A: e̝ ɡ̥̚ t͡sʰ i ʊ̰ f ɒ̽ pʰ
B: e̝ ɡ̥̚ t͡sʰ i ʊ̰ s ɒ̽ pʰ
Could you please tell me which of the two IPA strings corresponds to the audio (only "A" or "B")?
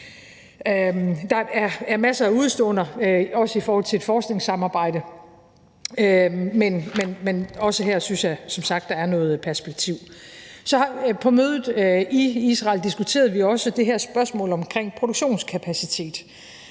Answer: B